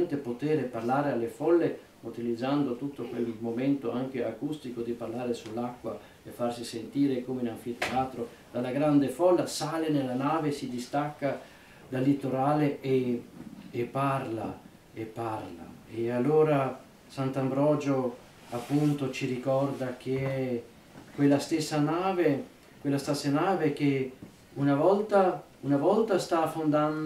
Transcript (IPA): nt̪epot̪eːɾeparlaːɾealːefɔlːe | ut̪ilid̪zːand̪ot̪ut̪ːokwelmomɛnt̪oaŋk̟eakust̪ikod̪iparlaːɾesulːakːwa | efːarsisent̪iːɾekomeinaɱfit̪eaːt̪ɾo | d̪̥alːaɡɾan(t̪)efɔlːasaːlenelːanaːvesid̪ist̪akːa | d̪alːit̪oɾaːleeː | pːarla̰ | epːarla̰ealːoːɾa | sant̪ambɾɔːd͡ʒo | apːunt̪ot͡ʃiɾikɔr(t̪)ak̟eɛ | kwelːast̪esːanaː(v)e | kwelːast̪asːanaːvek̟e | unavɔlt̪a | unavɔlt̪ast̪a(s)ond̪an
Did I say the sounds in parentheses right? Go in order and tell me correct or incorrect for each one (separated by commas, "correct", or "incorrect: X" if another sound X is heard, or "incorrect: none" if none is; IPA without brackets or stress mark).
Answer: incorrect: d̪, incorrect: d̪, correct, incorrect: f